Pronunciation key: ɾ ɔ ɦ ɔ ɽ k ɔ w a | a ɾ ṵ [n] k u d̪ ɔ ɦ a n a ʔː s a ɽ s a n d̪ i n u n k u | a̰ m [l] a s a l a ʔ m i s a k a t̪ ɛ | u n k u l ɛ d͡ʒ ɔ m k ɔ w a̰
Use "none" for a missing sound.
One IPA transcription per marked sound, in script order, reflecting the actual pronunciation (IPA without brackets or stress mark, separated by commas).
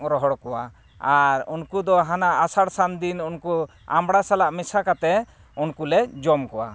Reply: n, ɽ